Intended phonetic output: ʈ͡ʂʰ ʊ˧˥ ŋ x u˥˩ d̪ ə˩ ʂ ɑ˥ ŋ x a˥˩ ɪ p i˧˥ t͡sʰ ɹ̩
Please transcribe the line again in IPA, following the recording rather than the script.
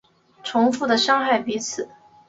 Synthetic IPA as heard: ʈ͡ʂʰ ʊ˧˥ ŋ f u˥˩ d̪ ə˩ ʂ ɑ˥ ŋ x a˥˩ ɪ p i˧˥ t͡sʰ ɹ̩

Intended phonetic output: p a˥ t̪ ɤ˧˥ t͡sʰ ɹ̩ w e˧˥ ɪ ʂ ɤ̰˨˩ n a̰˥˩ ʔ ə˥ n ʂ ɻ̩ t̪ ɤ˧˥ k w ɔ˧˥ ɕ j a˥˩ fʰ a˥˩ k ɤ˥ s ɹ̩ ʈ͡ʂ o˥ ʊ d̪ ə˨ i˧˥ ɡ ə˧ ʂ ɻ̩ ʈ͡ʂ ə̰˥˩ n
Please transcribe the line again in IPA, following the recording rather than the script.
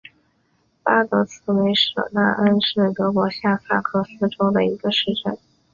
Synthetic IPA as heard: p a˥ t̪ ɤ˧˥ t͡sʰ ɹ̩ w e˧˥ ɪ ʂ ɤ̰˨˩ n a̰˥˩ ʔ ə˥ n ʂ ɻ̩ t̪ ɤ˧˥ k w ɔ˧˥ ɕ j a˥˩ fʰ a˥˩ kʰ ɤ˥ s ɹ̩ ʈ͡ʂ o˥ ʊ d̪ ə˨ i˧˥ ɡ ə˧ ʂ ɻ̩ ʈ͡ʂ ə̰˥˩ n

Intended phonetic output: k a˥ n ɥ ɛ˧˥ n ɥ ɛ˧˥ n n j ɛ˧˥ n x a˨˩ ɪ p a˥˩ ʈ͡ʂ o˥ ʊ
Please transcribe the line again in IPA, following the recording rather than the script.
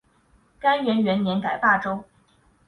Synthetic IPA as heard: k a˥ n ɥ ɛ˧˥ n ɥ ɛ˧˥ n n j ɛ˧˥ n k a˨˩ ɪ p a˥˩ ʈ͡ʂ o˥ ʊ

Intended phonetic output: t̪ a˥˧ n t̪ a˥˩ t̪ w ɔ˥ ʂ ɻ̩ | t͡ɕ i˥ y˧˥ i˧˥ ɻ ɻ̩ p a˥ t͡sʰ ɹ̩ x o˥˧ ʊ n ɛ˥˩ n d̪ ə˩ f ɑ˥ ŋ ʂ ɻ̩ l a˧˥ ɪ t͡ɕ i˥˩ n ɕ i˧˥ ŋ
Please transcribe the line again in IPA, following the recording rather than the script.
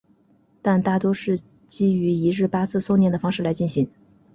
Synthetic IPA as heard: t̪ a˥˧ n t̪ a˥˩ t̪ w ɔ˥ ʂ ɻ̩ | t͡ɕ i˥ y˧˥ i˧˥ ɻ ɻ̩ p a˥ t͡sʰ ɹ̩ s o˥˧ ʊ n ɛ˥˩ n d̪ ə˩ f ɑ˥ ŋ ʂ ɻ̩ l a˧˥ ɪ t͡ɕ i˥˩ n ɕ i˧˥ ŋ

